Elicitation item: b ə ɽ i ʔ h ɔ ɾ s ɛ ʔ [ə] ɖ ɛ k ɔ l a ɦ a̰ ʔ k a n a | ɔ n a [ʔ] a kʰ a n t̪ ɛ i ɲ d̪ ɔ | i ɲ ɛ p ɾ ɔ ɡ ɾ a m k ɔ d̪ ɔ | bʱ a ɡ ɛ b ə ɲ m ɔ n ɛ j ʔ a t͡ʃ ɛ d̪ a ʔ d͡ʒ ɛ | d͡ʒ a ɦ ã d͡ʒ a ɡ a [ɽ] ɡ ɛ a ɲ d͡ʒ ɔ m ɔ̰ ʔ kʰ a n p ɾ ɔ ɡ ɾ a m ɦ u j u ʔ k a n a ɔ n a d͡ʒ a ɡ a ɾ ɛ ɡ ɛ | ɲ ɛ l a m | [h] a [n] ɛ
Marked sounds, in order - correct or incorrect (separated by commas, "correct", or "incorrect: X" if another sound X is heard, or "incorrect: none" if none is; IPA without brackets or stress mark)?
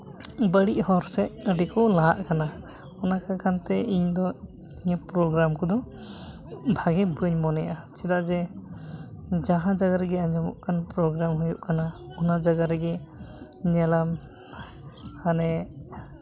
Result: correct, incorrect: k, incorrect: ɾ, correct, correct